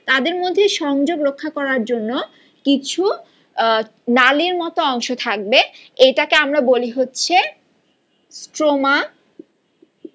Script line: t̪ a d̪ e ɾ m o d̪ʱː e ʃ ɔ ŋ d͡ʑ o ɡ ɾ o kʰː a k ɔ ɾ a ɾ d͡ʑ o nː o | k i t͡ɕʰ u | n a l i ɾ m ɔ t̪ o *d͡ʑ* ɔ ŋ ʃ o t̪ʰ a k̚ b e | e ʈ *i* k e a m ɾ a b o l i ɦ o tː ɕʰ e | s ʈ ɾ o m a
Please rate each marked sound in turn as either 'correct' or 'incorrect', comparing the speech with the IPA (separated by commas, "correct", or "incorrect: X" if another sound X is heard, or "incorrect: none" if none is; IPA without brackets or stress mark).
incorrect: none, incorrect: a